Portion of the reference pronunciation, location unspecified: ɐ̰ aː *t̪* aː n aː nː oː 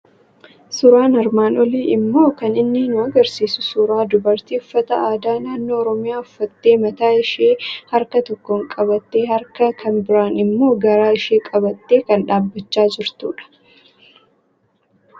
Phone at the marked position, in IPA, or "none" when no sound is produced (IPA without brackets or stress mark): d̪